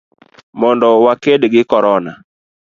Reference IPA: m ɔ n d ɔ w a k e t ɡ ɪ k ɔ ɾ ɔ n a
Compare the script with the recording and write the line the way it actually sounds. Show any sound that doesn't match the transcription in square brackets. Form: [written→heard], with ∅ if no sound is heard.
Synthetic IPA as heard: m ɔ n d ɔ w a k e [t→d] ɡ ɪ k ɔ ɾ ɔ n a

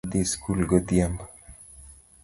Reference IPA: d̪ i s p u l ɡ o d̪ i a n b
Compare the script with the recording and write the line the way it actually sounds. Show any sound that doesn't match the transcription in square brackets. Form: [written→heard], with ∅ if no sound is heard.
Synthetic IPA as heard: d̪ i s [p→k] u l ɡ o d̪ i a [n→m] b

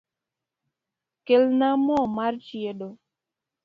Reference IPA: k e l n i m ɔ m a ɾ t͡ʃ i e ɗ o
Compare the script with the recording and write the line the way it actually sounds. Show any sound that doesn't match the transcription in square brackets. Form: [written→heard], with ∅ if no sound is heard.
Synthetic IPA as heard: k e l n [i→a] m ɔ m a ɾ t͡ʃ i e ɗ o

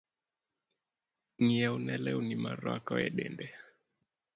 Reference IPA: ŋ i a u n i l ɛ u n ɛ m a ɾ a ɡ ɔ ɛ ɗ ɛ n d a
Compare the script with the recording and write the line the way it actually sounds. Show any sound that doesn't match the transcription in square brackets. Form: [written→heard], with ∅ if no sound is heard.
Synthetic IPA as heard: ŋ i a u n [i→ɛ] l ɛ u n [ɛ→i] m a ɾ a [ɡ→k] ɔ ɛ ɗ ɛ n d [a→ɛ]

